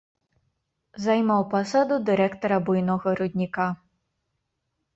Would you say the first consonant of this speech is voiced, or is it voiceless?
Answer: voiced